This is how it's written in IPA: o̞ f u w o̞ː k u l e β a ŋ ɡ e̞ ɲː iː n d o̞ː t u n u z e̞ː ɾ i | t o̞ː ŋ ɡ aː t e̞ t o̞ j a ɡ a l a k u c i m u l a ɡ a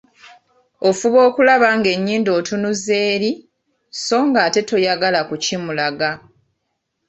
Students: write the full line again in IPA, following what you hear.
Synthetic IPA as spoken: o̞ f u β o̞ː k u l a β a ŋ ɡ e̞ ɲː iː n d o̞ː t u n u z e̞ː ɾ i | s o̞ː ŋ ɡ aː t e̞ t o̞ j a ɡ a l a k u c i m u l a ɡ a